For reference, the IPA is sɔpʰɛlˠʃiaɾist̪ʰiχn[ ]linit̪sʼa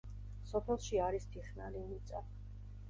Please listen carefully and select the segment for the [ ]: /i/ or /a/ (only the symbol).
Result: a